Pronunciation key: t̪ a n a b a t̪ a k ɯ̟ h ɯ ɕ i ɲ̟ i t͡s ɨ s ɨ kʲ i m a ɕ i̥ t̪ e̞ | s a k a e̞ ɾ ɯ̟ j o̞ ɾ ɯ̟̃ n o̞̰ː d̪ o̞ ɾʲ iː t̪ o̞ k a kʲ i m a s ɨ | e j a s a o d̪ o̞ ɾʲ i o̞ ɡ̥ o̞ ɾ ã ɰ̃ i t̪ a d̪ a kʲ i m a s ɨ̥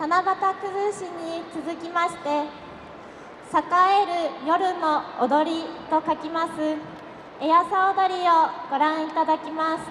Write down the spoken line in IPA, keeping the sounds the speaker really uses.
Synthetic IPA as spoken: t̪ a n a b a t̪ a k ɯ̟ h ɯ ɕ i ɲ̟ i t͡s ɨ z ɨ kʲ i m a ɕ i̥ t̪ e̞ | s a k a e̞ ɾ ɯ̟ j o̞ ɾ ɯ̟ n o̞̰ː d̪ o̞ ɾʲ i t̪ o̞ k a kʲ i m a s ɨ | e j a s a o d̪ o̞ ɾʲ i o̞ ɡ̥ o̞ ɾ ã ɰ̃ i t̪ a d̪ a kʲ i m a s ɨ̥